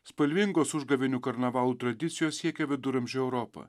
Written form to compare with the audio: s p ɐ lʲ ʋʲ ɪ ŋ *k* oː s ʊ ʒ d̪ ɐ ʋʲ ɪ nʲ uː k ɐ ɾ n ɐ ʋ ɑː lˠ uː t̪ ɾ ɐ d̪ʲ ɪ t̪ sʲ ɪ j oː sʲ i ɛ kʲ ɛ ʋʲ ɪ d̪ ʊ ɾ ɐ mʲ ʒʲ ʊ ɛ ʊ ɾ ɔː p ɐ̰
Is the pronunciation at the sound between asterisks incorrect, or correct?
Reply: incorrect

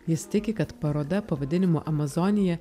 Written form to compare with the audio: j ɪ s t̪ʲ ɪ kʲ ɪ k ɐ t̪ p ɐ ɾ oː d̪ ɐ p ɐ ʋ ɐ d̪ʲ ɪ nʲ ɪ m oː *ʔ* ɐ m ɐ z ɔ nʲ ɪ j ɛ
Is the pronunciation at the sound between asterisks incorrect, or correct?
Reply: correct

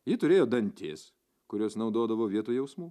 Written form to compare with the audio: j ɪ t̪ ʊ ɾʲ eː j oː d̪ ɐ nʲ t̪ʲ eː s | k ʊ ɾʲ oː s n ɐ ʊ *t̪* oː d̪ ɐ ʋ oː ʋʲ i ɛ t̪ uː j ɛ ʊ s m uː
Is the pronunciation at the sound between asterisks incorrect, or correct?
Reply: incorrect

